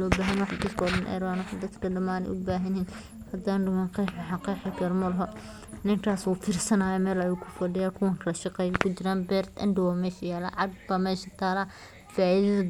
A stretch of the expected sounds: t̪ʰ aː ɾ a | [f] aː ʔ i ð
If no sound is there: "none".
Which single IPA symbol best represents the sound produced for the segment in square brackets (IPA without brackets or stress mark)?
f